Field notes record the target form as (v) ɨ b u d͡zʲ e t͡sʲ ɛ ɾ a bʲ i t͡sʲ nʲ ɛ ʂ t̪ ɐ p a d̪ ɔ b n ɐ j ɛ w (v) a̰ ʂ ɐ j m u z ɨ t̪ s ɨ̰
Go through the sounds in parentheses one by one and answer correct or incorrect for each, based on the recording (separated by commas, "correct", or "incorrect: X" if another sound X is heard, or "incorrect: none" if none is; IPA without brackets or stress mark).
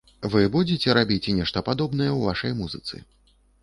correct, correct